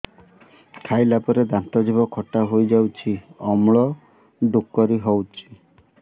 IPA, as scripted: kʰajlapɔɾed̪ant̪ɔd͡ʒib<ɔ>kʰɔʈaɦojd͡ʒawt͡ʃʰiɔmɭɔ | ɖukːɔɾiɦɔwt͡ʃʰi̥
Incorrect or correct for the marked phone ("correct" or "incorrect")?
correct